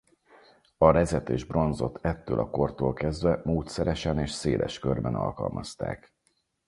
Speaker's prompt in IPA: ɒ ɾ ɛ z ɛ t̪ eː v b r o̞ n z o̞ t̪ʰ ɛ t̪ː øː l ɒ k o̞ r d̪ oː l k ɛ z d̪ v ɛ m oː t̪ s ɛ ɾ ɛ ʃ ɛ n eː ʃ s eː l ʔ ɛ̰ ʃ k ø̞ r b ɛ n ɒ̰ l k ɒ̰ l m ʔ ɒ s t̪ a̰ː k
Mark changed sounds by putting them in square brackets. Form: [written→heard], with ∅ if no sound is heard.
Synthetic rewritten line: ɒ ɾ ɛ z ɛ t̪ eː [v→ʒ] b r o̞ n z o̞ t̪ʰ ɛ t̪ː øː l ɒ k o̞ r [d̪→t̪] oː l k ɛ z d̪ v ɛ m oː t̪ s ɛ ɾ ɛ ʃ ɛ n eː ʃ s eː l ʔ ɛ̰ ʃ k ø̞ r b ɛ n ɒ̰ l k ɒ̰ l m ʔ ɒ s t̪ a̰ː k

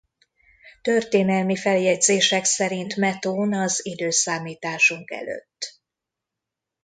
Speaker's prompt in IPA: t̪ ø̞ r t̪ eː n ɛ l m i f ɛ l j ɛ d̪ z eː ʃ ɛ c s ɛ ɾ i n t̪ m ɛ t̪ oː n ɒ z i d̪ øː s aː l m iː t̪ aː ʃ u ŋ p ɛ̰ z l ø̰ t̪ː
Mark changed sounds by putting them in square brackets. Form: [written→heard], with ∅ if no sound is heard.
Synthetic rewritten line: t̪ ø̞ r t̪ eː n ɛ l m i f ɛ l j ɛ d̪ z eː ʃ ɛ [c→k] s ɛ ɾ i n t̪ m ɛ t̪ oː n ɒ z i d̪ øː s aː [l→∅] m iː t̪ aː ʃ u ŋ [p→k] ɛ̰ [z→∅] l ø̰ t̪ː

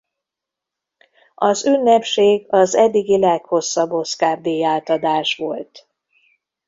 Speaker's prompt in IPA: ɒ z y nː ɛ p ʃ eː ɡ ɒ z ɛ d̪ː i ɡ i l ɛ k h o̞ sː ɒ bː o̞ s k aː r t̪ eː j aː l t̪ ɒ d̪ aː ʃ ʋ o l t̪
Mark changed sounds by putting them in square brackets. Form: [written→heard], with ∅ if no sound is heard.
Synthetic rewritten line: ɒ z y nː ɛ p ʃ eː ɡ ɒ z ɛ d̪ː i ɡ i l ɛ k h o̞ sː ɒ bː o̞ s k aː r [t̪→d̪] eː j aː l t̪ ɒ d̪ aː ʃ ʋ o l t̪

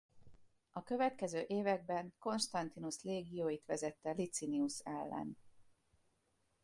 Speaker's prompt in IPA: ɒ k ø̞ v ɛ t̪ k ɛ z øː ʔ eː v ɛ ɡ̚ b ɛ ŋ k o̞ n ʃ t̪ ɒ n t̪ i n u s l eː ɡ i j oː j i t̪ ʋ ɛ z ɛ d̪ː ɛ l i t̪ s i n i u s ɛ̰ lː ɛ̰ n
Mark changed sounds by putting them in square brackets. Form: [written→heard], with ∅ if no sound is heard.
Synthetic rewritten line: ɒ k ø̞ v ɛ t̪ k ɛ z øː ʔ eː v ɛ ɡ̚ b ɛ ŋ k o̞ n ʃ t̪ ɒ n t̪ i n u s l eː ɡ i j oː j i t̪ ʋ ɛ z ɛ [d̪ː→t̪ː] ɛ l i t̪ s i n i u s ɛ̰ lː ɛ̰ n

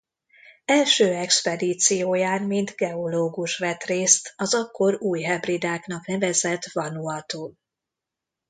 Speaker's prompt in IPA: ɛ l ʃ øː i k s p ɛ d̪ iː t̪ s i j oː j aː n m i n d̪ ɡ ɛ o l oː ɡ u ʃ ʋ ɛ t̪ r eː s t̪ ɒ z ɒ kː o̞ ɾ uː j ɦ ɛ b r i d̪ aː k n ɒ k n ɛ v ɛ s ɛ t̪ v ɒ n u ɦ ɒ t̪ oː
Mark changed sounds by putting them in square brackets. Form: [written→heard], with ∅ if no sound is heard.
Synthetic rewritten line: ɛ l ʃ øː [i→ɛ] k s p ɛ d̪ iː t̪ s i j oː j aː n m i n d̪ ɡ ɛ o l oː ɡ u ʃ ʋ ɛ t̪ r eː s t̪ ɒ z ɒ kː o̞ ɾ uː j ɦ ɛ b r i d̪ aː k n ɒ k n ɛ v ɛ [s→z] ɛ t̪ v ɒ n u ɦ ɒ t̪ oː

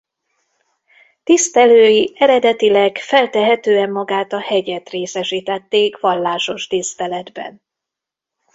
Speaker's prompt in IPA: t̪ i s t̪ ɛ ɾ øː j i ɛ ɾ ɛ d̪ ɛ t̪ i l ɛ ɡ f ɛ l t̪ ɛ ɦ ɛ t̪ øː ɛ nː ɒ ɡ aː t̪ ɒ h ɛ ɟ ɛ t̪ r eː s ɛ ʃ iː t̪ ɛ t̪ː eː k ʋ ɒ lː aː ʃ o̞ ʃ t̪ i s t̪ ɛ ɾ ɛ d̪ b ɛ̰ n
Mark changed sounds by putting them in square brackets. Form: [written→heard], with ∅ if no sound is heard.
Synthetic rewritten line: t̪ i s t̪ ɛ [ɾ→l] øː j i ɛ ɾ ɛ d̪ ɛ t̪ i l ɛ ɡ f ɛ l t̪ ɛ ɦ ɛ t̪ øː ɛ [nː→mː] ɒ ɡ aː t̪ ɒ h ɛ ɟ ɛ t̪ r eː s ɛ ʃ iː t̪ ɛ t̪ː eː k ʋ ɒ lː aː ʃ o̞ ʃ t̪ i s t̪ ɛ [ɾ→l] ɛ d̪ b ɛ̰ n

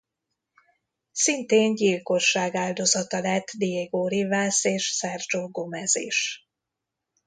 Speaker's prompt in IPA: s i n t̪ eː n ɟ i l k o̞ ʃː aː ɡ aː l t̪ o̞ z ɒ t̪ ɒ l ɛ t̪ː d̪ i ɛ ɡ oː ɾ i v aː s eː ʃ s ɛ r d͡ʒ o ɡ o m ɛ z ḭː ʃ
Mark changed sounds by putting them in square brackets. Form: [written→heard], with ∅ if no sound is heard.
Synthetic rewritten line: s i n t̪ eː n ɟ i l k o̞ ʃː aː ɡ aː l [t̪→d̪] o̞ z ɒ t̪ ɒ l ɛ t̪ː d̪ i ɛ ɡ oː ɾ i v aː s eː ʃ s ɛ r d͡ʒ o ɡ o m ɛ z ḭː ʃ

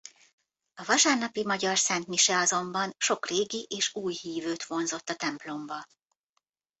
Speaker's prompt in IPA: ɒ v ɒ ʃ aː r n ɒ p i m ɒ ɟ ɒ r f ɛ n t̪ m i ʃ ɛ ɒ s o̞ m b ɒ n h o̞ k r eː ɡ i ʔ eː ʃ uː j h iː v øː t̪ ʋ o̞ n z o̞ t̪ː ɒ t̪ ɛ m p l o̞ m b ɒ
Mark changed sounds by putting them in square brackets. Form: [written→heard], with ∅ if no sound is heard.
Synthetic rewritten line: ɒ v ɒ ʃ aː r n ɒ p i m ɒ ɟ ɒ r [f→s] ɛ n t̪ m i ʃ ɛ ɒ [s→z] o̞ m b ɒ n [h→ʃ] o̞ k r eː ɡ i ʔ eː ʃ uː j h iː v øː t̪ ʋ o̞ n z o̞ t̪ː ɒ t̪ ɛ m p l o̞ m b ɒ

